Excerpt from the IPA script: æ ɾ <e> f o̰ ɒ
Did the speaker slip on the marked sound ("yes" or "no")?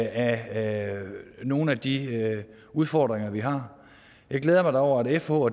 no